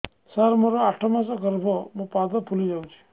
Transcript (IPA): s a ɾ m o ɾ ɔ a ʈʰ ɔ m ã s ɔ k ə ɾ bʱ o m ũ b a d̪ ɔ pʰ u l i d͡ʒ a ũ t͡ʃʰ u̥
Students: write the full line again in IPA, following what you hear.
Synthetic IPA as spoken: s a ɾ m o ɾ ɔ a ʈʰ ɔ m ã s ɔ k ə ɾ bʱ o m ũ p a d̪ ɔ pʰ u l i d͡ʒ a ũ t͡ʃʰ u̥